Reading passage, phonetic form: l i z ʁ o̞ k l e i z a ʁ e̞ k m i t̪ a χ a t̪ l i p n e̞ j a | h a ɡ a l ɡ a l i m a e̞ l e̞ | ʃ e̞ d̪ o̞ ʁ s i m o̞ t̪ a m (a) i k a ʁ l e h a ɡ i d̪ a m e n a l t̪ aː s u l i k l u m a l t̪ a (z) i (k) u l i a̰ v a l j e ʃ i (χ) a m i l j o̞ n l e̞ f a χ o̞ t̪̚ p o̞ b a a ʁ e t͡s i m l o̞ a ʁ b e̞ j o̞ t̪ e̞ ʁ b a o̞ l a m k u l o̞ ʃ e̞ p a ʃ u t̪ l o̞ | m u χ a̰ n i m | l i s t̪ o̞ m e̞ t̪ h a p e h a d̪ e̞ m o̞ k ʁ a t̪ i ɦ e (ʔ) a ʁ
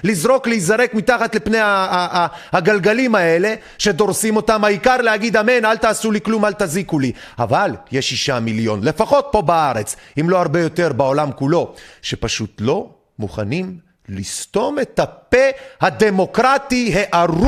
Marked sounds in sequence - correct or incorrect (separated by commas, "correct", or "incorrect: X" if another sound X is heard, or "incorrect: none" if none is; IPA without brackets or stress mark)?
correct, correct, correct, incorrect: ʃ, correct